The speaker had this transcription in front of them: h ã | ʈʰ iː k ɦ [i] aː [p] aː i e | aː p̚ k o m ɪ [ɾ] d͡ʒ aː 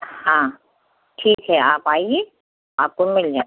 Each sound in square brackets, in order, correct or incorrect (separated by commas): incorrect, correct, incorrect